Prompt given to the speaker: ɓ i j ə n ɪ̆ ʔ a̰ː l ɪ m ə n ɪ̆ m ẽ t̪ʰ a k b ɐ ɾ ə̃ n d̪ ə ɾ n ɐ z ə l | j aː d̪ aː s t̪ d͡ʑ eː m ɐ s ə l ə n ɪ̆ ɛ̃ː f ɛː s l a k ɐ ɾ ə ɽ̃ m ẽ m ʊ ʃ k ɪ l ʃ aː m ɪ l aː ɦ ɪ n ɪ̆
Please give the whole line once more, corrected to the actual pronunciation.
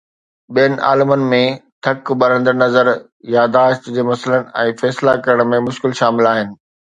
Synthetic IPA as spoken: ɓ i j ə n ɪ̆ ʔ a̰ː l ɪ m ə n ɪ̆ m ẽ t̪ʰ ɐ k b ɐ ɾ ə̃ n d̪ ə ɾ n ɐ z ə ɾ | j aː d̪ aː ʃ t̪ d͡ʑ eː m ɐ s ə l ə n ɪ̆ ɛ̃ː f ɛː s l a k ɐ ɾ ə ɽ̃ m ẽ m ʊ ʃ k ɪ l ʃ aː m ɪ l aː ɦ ɪ n ɪ̆